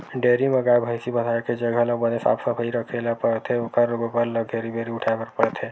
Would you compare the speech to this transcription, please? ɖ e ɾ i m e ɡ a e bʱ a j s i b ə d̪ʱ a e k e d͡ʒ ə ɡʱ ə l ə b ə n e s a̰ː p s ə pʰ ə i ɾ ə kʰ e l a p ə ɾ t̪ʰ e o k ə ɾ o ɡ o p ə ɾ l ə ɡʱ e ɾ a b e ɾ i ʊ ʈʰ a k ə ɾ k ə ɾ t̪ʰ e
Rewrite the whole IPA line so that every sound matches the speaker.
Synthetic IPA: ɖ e ɾ i m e ɡ a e bʱ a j s i b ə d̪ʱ a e k e d͡ʒ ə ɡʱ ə l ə b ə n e s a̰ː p s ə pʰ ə i ɾ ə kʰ e l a p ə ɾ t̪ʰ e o k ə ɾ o ɡ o p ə ɾ l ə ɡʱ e ɾ i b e ɾ i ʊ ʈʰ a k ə ɾ p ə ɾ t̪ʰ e